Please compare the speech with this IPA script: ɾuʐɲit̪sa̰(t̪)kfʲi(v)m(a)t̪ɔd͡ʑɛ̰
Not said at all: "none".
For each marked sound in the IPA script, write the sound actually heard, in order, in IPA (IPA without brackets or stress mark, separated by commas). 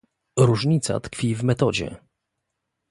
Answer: t̪, v, ɛ